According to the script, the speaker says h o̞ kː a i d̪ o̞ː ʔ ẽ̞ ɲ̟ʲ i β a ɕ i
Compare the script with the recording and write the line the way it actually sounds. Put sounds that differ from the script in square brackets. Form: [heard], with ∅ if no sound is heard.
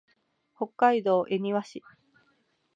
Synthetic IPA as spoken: h o̞ kː a i d̪ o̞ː ʔ [e̞] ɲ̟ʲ i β a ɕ i